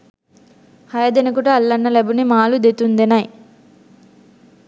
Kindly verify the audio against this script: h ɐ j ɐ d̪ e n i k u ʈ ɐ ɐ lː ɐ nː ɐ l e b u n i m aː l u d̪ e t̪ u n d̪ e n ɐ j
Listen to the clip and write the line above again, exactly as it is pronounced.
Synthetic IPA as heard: h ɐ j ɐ d̪ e n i k u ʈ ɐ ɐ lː ɐ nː ɐ l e b u n i m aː l u d̪ e t̪ u n d̪ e n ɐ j